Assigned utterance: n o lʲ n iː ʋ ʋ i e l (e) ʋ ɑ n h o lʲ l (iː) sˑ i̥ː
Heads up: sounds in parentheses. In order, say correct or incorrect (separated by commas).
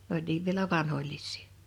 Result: incorrect, incorrect